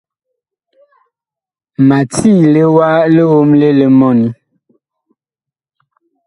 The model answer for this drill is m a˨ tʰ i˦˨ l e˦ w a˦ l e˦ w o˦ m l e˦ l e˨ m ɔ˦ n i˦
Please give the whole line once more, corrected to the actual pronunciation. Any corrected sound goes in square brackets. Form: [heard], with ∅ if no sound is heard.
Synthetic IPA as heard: m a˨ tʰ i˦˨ l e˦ w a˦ l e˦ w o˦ m l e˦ l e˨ m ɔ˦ n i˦